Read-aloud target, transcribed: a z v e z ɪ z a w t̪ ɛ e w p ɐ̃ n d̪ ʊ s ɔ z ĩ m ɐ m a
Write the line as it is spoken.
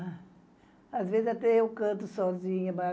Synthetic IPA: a z v e z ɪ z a t̪ ɛ e w k ɐ̃ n t̪ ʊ s ɔ z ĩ ɲ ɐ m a